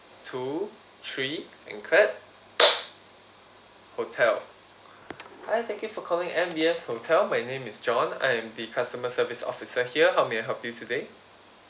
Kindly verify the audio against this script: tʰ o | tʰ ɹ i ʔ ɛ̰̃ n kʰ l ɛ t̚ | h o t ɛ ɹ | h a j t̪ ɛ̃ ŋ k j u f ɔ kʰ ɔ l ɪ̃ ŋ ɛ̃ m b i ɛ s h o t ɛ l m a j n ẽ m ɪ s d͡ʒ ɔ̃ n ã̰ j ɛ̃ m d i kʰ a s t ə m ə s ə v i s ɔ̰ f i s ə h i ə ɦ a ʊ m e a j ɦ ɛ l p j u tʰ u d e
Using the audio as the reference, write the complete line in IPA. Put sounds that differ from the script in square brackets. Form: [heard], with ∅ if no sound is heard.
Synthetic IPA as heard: tʰ [u] | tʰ ɹ i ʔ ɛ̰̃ n kʰ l ɛ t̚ | h o [tʰ] ɛ [l] | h a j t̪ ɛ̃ ŋ k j u f ɔ kʰ ɔ l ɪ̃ ŋ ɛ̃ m b i ɛ s h o [tʰ] ɛ l m a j n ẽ m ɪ s d͡ʒ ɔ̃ n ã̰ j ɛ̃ m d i kʰ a s t ə m ə s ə v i s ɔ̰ f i s ə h i ə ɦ a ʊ m e a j ɦ ɛ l p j u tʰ u d e